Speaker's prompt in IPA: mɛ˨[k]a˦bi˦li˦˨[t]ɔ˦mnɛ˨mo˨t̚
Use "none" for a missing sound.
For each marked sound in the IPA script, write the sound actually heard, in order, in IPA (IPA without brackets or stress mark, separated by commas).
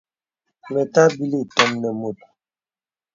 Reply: t, t